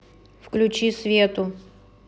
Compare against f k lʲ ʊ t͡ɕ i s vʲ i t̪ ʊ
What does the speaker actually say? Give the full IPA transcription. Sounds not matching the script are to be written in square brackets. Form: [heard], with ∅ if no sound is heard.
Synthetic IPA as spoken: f k lʲ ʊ t͡ɕ i s vʲ [e] t̪ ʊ